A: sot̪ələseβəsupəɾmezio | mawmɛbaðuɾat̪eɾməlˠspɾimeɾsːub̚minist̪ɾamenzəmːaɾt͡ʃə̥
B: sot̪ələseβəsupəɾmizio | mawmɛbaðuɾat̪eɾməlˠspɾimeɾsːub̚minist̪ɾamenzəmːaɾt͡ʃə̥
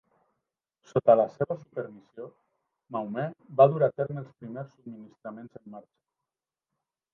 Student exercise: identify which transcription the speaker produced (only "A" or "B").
B